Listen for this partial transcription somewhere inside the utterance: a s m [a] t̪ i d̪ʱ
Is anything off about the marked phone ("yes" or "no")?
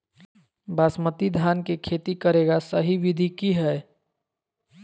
yes